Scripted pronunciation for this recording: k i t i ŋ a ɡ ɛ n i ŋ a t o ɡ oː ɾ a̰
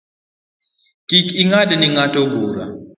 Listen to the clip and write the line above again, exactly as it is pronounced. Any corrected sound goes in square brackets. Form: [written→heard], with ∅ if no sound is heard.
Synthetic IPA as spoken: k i [t→k] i ŋ a [ɡ→d] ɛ n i ŋ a t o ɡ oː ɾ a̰